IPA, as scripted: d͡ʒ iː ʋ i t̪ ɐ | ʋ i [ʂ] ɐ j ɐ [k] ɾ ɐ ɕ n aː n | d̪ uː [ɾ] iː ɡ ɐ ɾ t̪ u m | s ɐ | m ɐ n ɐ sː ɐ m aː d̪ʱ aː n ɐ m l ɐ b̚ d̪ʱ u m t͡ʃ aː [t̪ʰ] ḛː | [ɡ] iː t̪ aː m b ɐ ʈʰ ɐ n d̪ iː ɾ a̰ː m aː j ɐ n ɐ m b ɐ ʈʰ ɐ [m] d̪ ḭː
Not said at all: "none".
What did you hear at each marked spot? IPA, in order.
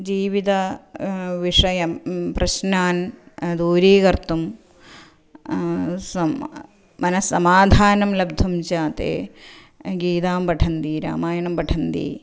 ʂ, p, ɾ, t̪, ɡ, n

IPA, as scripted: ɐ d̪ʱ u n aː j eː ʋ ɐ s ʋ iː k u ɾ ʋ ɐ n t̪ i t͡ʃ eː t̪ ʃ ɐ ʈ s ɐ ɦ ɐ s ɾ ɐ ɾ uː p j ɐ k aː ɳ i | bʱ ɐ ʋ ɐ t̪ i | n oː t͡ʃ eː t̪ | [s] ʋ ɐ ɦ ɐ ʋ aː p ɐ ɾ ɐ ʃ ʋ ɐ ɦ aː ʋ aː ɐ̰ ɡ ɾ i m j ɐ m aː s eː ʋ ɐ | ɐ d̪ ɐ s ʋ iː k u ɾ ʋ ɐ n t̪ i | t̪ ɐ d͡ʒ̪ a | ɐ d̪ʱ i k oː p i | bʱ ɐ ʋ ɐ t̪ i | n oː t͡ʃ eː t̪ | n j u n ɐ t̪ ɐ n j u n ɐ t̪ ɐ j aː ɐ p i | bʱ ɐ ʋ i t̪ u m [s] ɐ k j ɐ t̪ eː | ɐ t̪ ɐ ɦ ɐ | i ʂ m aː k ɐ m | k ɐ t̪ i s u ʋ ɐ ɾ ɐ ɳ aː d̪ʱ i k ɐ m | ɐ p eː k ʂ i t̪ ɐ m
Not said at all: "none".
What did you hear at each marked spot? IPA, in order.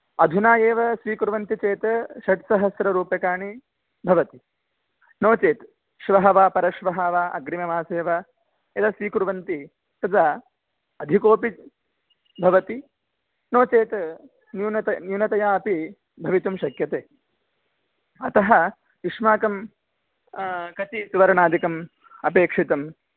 ʃ, ʃ

